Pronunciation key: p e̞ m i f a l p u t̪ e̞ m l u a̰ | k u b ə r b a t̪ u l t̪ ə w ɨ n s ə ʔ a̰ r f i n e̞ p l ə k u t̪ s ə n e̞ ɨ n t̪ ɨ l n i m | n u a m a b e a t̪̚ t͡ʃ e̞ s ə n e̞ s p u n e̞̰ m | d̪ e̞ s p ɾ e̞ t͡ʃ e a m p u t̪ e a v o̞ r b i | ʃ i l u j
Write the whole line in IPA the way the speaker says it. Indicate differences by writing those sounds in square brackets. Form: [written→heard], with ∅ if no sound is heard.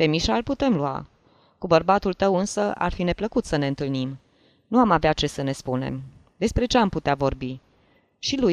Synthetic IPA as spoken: p e̞ m i [f→ʃ] a l p u t̪ e̞ m l u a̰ | k u b ə r b a t̪ u l t̪ ə w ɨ n s ə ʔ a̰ r f i n e̞ p l ə k u t̪ s ə n e̞ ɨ n t̪ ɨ l n i m | n u a m a [b→v] e a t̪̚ t͡ʃ e̞ s ə n e̞ s p u n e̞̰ m | d̪ e̞ s p ɾ e̞ t͡ʃ e a m p u t̪ e a v o̞ r b i | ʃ i l u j